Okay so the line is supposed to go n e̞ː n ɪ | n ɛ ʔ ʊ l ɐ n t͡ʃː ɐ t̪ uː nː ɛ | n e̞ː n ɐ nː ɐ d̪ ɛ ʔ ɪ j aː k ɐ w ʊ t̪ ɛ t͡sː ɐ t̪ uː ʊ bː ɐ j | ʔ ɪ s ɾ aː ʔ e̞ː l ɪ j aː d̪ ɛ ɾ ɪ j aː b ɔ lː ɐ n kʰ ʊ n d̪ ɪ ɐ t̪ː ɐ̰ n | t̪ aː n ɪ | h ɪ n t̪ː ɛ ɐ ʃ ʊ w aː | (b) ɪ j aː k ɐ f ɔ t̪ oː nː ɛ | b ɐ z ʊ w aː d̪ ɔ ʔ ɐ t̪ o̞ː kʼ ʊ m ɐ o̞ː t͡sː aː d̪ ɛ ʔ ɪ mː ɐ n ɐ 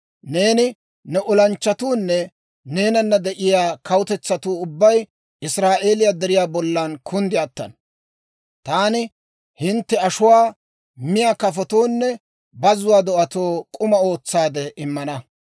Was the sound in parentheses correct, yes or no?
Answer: no